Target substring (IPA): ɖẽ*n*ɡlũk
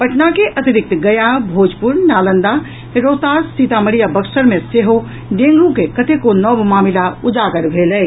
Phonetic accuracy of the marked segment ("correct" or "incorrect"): incorrect